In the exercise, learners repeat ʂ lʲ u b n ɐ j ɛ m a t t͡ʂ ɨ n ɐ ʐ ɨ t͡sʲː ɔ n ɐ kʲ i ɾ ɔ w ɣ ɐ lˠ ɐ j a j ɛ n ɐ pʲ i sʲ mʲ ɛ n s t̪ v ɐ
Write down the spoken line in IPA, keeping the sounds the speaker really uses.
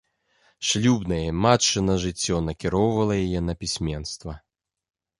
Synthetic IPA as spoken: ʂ lʲ u b n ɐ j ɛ m a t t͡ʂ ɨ n ɐ ʐ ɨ t͡sʲː ɔ n ɐ kʲ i ɾ ɔ w v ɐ lˠ ɐ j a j ɛ n ɐ pʲ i sʲ mʲ ɛ n s t̪ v ɐ